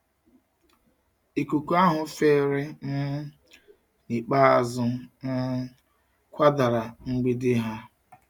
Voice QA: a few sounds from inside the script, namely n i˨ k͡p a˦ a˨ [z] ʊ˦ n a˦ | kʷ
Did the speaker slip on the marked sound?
no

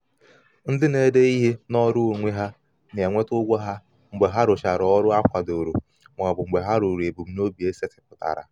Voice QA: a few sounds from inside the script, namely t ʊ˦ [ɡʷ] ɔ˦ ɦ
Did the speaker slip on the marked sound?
no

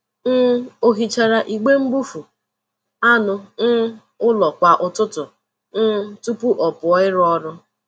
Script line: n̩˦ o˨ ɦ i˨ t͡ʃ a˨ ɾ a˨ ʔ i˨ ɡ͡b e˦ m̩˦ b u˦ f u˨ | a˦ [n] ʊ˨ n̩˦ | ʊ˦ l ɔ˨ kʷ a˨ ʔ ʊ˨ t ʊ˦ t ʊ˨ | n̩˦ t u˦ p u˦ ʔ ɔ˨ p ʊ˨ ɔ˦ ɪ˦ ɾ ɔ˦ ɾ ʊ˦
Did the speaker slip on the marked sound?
no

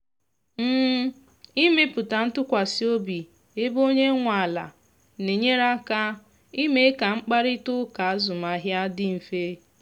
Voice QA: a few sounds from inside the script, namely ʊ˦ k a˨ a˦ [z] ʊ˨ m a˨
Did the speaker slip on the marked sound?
no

